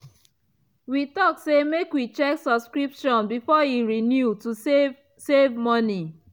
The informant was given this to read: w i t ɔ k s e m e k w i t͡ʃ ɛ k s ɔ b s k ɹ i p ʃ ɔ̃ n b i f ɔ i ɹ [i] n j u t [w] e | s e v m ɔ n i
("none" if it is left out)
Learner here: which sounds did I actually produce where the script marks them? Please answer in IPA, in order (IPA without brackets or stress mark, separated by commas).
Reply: i, u